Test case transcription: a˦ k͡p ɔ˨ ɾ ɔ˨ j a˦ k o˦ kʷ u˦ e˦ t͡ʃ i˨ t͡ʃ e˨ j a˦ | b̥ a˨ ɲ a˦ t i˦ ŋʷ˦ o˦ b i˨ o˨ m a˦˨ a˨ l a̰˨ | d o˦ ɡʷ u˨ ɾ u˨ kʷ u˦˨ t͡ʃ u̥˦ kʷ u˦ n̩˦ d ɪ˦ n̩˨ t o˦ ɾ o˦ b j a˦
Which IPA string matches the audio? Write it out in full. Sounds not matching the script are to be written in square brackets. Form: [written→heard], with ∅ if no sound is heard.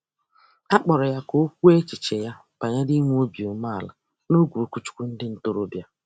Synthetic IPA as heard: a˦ k͡p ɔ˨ ɾ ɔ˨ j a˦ k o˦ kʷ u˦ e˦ t͡ʃ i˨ t͡ʃ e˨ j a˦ | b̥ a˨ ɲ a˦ [t→d] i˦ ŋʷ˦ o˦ b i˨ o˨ m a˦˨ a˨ l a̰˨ | [d→n] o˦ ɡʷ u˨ ɾ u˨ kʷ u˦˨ t͡ʃ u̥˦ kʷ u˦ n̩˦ d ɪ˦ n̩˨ t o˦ ɾ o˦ b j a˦

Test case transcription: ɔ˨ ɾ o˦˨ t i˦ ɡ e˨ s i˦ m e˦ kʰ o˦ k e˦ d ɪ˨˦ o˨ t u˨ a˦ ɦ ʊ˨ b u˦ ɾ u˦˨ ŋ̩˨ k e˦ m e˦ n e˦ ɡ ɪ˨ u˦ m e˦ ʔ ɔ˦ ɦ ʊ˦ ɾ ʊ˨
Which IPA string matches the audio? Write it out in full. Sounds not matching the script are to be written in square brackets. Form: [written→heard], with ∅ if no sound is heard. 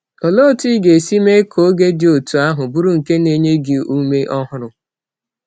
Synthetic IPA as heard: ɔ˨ [ɾ→l] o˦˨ t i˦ ɡ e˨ s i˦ m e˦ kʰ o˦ [k→ɡ] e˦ d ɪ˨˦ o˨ t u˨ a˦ ɦ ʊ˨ b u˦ ɾ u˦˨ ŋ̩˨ k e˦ [m→n] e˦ [n→ɲ] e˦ ɡ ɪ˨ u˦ m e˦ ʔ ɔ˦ ɦ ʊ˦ ɾ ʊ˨

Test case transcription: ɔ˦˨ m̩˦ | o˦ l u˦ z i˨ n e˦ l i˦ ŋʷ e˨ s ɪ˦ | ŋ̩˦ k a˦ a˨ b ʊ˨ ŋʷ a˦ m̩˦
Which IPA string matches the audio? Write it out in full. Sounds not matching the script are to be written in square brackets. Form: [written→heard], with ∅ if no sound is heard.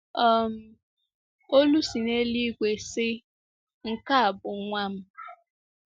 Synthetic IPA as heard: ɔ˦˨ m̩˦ | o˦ l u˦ [z→s] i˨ n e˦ l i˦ [ŋʷ→ɡʷ] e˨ s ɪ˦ | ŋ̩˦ k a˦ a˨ b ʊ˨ ŋʷ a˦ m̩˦

